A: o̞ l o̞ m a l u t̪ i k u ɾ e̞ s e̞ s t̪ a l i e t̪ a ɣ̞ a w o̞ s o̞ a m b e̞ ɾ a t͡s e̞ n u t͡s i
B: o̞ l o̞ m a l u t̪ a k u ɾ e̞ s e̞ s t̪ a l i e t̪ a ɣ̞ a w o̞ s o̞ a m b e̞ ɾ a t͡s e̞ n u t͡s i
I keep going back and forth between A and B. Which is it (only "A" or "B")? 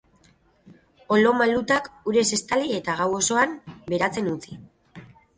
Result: B